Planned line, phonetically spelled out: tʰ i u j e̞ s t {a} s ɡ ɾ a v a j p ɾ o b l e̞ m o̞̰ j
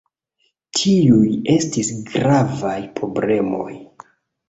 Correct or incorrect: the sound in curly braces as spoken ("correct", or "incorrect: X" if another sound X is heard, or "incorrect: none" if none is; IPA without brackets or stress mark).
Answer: incorrect: i